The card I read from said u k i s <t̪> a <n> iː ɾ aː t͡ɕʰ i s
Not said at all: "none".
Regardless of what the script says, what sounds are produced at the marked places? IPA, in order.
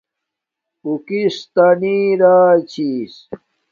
t̪, n

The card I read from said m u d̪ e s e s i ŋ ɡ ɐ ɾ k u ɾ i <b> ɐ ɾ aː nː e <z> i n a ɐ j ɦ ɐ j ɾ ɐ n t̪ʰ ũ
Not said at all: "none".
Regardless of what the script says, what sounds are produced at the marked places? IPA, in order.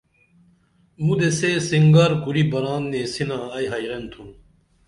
b, s

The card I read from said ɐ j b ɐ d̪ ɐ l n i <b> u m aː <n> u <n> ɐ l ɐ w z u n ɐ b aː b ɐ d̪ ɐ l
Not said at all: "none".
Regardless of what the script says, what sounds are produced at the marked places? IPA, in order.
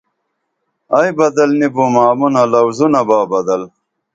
b, m, n

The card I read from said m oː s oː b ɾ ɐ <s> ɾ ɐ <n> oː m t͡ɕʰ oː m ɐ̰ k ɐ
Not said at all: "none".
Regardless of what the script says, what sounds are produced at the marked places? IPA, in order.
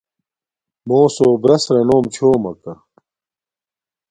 s, n

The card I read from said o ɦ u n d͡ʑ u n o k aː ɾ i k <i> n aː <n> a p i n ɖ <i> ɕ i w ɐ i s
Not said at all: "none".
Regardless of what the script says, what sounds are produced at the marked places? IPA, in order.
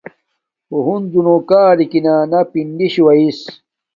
i, n, i

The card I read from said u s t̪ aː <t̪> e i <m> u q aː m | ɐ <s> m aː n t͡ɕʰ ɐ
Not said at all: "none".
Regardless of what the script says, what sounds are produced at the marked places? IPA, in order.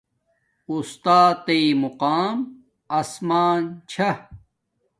t̪, m, s

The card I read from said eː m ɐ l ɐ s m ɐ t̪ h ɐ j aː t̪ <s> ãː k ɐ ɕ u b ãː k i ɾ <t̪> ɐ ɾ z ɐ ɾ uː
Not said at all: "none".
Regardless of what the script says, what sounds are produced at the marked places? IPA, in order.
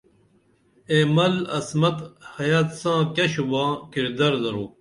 s, d̪

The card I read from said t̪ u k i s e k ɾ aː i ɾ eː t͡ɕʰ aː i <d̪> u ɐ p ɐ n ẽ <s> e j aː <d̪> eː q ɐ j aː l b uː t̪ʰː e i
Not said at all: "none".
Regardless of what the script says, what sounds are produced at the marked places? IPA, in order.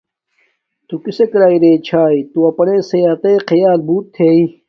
t̪, s, t̪

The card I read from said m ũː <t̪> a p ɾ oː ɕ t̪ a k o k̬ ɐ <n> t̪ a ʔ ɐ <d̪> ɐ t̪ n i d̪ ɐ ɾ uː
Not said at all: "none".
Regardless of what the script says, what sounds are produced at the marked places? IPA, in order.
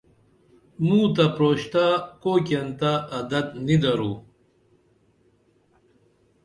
t̪, n, d̪

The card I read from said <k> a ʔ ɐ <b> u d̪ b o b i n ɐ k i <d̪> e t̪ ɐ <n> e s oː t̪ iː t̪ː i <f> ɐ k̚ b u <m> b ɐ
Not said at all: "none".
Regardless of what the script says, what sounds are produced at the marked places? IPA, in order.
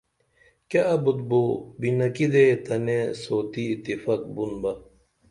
k, b, d̪, n, f, n

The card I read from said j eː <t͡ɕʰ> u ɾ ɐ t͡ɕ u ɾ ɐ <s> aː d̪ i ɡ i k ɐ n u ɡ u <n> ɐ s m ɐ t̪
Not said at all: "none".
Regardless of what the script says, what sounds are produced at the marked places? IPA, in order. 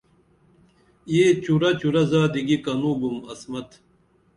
t͡ɕ, z, m

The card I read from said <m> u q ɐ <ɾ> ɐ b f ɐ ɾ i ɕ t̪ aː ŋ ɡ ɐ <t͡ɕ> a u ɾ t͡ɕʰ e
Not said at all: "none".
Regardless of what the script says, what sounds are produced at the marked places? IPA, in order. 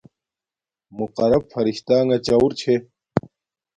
m, ɾ, t͡ɕ

